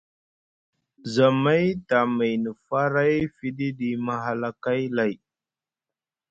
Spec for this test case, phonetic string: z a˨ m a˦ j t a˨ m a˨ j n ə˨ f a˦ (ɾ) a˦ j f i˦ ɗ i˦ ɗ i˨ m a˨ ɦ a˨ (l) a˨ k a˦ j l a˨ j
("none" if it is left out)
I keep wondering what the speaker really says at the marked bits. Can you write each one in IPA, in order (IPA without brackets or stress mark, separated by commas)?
ɾ, l